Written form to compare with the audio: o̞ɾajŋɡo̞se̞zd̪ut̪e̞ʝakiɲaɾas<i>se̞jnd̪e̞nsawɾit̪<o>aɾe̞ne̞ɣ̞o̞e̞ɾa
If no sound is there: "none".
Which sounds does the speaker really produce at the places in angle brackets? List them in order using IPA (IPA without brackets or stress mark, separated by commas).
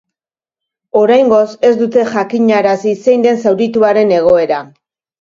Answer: i, u